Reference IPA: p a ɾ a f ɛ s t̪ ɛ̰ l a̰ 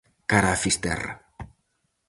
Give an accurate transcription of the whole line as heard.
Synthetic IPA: k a ɾ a f i s t̪ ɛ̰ r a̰